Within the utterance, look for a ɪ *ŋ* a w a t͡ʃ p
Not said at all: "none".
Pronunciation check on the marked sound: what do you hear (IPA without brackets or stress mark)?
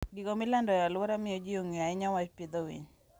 ɲ